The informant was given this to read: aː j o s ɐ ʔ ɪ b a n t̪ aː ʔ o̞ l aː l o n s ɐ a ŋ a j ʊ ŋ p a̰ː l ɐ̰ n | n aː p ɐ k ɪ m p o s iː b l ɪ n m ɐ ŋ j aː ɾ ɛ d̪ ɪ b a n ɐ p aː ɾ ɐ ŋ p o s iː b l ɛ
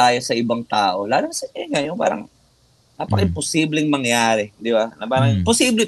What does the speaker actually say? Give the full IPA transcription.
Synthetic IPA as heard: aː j o s ɐ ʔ ɪ b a ŋ t̪ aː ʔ o̞ l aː l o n s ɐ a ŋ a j ʊ ŋ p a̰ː ɾ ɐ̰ ŋ | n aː p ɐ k ɪ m p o s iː b l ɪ ŋ m ɐ ŋ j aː ɾ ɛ d̪ ɪ b a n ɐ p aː ɾ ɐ ŋ p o s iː b l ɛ